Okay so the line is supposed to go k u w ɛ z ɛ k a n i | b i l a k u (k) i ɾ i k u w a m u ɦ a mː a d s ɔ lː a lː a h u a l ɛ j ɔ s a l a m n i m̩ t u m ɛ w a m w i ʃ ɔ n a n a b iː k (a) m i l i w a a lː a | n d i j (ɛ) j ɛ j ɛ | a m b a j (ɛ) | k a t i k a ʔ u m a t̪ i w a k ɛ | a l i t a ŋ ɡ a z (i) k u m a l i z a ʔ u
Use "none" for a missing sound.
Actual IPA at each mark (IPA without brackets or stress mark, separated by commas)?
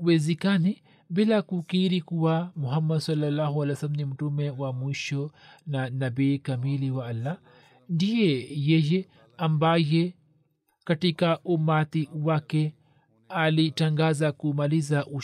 k, a, ɛ, ɛ, a